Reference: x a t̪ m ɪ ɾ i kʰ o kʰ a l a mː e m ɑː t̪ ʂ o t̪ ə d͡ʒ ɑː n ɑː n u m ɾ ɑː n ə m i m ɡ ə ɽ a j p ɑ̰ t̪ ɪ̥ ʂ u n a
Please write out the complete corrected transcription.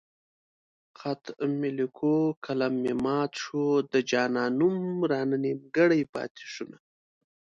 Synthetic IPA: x a t̪ m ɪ l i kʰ o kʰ a l a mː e m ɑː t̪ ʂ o d̪ ə d͡ʒ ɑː n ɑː n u m ɾ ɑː n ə n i m ɡ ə ɽ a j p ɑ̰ t̪ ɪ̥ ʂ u n a